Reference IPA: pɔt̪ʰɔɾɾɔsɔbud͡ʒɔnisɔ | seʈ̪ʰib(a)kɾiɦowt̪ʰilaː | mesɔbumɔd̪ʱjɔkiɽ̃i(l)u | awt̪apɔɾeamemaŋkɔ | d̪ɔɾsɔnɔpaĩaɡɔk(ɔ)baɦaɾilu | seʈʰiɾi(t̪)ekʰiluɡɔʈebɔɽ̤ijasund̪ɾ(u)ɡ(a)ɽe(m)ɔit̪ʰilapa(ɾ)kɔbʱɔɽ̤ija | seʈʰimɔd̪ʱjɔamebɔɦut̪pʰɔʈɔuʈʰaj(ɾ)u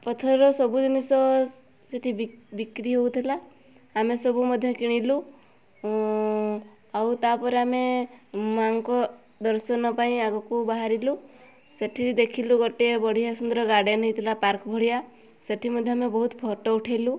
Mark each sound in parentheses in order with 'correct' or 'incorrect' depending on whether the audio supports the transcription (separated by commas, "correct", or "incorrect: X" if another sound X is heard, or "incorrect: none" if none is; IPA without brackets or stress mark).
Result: incorrect: i, correct, incorrect: u, incorrect: d̪, incorrect: ɔ, correct, incorrect: n, correct, incorrect: l